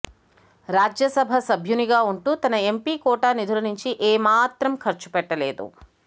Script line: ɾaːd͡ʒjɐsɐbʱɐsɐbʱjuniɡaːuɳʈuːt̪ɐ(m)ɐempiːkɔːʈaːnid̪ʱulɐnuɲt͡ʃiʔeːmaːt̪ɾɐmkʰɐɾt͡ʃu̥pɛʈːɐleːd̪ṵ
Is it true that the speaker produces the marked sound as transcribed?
no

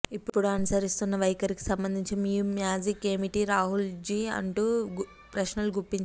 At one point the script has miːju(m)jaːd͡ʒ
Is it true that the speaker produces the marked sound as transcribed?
yes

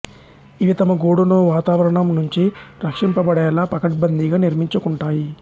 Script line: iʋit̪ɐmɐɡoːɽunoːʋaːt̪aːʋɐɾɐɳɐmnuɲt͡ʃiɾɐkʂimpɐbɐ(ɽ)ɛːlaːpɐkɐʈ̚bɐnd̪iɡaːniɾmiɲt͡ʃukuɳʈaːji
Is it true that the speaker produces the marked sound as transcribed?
yes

